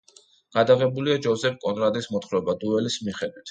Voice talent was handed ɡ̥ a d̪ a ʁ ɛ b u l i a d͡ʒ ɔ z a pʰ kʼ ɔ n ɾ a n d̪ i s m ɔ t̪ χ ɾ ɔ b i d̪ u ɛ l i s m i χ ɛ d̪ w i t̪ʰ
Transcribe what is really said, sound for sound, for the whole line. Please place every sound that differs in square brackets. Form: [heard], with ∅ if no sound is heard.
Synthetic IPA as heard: ɡ̥ a d̪ a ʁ ɛ b u l i a d͡ʒ ɔ z [ɛ] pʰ kʼ ɔ n ɾ a [∅] d̪ i s m ɔ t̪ χ ɾ ɔ b [a] d̪ u ɛ l i s m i χ ɛ d̪ w i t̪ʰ